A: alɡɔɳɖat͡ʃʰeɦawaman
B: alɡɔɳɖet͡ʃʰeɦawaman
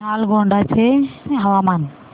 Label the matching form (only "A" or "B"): A